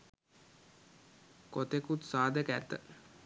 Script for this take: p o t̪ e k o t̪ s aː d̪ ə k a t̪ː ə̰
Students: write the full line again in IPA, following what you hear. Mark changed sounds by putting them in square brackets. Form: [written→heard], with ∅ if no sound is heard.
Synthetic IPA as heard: [p→k] o t̪ e k [o→u] t̪ s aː d̪ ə k [a→æ] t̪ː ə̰